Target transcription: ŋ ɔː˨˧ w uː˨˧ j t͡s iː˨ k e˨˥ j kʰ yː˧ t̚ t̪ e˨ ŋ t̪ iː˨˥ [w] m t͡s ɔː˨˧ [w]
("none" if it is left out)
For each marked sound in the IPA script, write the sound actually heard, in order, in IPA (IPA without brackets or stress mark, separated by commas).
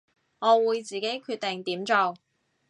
none, w